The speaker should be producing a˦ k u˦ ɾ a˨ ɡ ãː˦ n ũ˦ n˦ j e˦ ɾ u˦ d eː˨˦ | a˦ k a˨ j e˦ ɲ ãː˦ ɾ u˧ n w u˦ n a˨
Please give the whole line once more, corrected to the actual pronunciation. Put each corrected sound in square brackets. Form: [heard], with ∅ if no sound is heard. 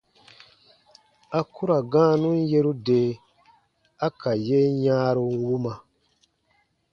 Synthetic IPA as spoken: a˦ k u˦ ɾ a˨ ɡ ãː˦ n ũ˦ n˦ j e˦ ɾ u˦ d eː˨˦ | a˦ k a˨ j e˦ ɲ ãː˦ ɾ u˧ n w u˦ [m] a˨